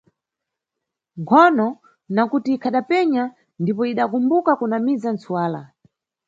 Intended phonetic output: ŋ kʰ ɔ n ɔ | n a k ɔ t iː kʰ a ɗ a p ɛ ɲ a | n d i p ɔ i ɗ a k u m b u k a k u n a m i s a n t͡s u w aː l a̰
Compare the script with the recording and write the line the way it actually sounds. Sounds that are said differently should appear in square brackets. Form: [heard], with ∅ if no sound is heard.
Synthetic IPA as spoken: ŋ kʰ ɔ n ɔ | n a k [u] t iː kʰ a ɗ a p ɛ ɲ a | n d i p ɔ i ɗ a k u m b u k a k u n a m i [z] a n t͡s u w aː l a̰